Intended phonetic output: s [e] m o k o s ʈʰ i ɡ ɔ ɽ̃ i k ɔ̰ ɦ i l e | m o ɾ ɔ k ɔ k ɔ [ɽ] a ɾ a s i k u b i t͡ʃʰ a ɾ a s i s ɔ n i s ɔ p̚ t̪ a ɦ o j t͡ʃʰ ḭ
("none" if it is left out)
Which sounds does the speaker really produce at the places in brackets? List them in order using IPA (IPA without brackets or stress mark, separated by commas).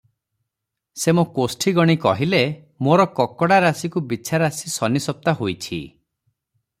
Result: e, ɽ